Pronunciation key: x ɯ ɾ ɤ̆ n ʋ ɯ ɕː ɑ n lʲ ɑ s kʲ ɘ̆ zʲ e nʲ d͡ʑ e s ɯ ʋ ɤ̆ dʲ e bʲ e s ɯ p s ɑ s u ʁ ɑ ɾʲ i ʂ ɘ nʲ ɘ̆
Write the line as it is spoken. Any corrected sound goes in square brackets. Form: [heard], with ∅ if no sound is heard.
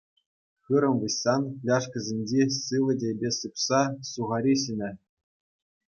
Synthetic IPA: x ɯ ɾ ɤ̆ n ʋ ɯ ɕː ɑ n lʲ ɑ [ʂ] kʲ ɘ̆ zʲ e nʲ d͡ʑ e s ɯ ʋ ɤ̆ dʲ e bʲ e s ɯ p s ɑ s u ʁ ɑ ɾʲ i [ɕ] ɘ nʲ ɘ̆